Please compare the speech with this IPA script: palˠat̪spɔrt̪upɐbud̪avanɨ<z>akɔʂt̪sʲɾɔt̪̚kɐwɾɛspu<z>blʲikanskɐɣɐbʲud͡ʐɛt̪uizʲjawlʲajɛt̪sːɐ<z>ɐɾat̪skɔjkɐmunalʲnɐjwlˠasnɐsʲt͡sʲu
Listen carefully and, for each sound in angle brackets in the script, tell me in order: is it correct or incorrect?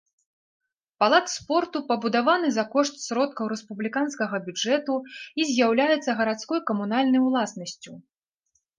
correct, incorrect: none, incorrect: ɣ

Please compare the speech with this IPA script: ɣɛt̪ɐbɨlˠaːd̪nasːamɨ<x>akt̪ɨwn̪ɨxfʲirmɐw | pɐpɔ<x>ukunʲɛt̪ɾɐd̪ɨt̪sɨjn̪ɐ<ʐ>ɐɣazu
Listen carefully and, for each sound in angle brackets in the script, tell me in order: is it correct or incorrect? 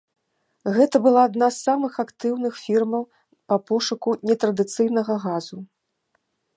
correct, incorrect: ʂ, incorrect: ɣ

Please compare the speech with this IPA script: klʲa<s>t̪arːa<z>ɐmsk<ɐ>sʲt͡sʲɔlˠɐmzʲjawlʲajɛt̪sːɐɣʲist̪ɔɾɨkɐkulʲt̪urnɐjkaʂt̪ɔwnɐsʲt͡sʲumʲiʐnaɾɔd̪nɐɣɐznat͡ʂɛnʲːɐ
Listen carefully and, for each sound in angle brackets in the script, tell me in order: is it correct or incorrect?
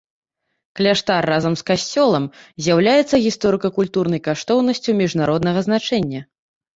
incorrect: ʂ, correct, incorrect: a

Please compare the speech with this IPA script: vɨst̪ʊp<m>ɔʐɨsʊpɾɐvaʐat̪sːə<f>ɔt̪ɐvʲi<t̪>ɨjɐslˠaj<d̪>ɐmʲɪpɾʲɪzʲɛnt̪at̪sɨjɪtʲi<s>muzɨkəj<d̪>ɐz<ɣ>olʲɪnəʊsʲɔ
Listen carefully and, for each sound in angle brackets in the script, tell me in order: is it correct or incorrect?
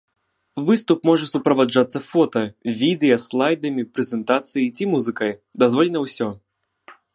correct, correct, incorrect: d̪, correct, incorrect: none, correct, incorrect: v

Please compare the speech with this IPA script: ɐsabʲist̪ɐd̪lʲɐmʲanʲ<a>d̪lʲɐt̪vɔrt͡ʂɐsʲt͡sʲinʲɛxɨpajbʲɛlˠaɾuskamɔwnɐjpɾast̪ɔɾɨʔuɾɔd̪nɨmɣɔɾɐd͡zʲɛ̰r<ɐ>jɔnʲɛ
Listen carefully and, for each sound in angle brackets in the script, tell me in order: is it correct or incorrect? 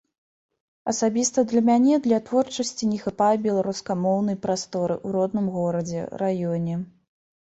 incorrect: ɛ, incorrect: a

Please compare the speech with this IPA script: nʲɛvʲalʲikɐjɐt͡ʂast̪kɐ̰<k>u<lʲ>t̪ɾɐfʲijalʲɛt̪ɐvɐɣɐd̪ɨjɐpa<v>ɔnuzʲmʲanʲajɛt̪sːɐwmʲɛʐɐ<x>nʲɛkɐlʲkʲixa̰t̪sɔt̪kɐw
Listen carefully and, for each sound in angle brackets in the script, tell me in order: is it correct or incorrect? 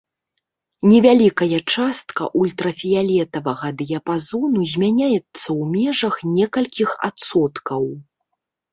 incorrect: ʔ, correct, incorrect: z, correct

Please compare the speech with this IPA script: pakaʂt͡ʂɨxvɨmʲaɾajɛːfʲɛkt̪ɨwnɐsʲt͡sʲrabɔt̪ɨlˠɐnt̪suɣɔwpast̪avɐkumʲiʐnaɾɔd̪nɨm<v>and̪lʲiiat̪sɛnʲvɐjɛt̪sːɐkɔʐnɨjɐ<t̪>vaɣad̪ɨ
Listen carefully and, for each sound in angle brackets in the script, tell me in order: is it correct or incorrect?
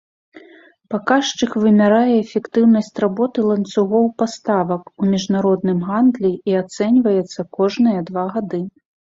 incorrect: ɣ, incorrect: d̪

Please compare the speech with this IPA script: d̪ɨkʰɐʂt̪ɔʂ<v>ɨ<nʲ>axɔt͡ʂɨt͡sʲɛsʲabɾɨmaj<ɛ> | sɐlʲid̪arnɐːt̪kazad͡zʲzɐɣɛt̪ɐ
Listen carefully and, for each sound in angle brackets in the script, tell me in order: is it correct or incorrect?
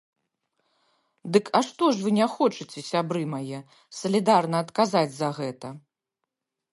correct, correct, correct

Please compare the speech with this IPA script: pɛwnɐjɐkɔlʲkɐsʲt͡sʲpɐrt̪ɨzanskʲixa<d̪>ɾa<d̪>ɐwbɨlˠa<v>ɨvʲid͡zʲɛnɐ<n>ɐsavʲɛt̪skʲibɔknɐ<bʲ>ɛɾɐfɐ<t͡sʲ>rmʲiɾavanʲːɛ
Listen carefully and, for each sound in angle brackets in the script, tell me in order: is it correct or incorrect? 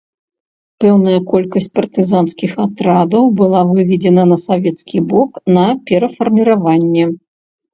incorrect: t̪, correct, correct, correct, incorrect: pʲ, incorrect: none

